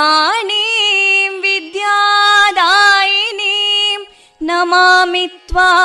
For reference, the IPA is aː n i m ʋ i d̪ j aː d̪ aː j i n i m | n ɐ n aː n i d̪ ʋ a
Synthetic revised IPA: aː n i m ʋ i d̪ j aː d̪ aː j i n i m | n ɐ m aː m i t̪ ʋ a